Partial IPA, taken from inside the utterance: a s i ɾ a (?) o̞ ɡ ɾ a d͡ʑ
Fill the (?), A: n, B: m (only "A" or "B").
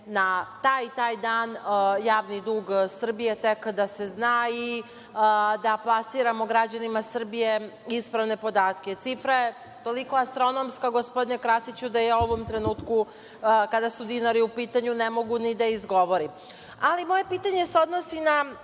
B